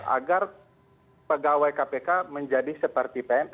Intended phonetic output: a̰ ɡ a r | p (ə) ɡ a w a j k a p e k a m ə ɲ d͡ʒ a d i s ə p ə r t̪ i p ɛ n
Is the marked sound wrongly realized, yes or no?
no